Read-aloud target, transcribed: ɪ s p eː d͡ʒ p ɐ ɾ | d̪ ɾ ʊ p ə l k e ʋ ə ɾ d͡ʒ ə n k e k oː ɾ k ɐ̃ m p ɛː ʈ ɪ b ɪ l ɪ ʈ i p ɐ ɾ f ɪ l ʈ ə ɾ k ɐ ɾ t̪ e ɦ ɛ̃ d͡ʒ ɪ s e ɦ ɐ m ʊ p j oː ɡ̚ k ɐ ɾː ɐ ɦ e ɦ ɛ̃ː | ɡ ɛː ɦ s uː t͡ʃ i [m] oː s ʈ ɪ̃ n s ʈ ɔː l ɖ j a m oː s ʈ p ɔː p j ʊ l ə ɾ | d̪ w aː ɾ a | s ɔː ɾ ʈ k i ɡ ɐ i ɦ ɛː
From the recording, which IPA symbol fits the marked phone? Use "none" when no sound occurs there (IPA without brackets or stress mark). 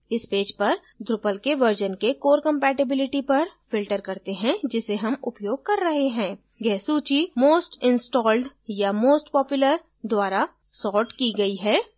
m